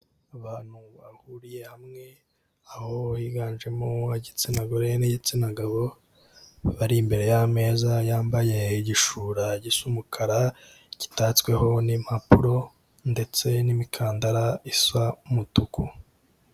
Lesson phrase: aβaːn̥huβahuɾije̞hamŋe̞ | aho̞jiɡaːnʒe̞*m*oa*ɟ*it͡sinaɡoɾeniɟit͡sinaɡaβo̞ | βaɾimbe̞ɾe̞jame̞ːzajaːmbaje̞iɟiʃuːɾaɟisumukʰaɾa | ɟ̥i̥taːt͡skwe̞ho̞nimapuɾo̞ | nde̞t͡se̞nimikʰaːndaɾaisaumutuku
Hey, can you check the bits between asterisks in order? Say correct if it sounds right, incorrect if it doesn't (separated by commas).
correct, correct